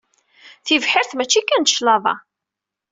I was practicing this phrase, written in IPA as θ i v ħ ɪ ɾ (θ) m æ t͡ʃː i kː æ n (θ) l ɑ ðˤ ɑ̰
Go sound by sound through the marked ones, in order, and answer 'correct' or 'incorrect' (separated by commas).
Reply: correct, incorrect